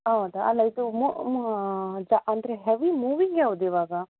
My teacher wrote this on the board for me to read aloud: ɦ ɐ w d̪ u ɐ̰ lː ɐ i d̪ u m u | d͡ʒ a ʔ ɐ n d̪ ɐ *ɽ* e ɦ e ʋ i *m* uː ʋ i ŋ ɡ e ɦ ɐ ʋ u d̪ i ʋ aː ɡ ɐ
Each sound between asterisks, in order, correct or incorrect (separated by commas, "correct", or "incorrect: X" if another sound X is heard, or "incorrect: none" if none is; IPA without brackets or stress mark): incorrect: ɾ, correct